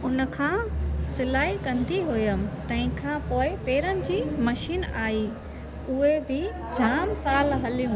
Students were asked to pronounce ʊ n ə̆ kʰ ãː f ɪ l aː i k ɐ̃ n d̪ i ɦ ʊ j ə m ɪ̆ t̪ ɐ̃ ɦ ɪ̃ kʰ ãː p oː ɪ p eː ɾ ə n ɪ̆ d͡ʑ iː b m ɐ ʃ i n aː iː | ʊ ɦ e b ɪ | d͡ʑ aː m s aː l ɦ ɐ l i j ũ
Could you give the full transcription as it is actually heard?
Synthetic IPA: ʊ n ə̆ kʰ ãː s ɪ l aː i k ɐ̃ n d̪ i ɦ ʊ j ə m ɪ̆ t̪ ɐ̃ ɦ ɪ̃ kʰ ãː p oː ɪ p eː ɾ ə n ɪ̆ d͡ʑ iː m ɐ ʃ iː n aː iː | ʊ ɦ e b ɪ | d͡ʑ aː m s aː l ɦ ɐ l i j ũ